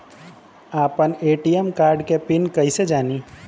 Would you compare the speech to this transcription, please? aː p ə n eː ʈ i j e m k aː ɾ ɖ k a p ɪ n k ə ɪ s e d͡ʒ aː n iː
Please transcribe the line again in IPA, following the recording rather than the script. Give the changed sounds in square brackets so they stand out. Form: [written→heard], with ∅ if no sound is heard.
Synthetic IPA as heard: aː p ə n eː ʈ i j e m k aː ɾ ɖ k [a→e] p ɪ n k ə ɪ s e d͡ʒ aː n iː